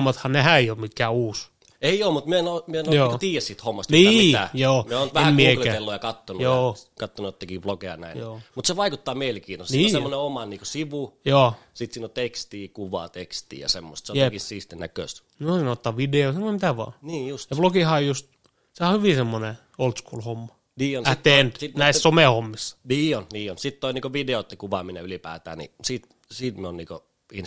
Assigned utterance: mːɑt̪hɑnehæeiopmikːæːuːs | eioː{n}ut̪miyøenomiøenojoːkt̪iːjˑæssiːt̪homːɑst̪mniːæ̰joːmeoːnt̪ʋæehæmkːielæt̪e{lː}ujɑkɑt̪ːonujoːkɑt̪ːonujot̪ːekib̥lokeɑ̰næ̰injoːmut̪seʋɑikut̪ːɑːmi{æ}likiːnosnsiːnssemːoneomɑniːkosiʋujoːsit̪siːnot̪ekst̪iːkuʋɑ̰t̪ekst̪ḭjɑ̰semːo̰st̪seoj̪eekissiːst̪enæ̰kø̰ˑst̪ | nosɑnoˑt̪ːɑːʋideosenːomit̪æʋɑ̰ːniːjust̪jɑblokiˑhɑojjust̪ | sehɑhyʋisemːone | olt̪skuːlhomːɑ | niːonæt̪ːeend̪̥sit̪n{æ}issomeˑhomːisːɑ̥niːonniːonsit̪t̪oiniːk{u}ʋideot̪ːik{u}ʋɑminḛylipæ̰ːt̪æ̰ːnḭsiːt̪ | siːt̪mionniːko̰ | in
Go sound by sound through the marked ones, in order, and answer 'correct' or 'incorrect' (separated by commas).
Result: incorrect, correct, incorrect, correct, incorrect, correct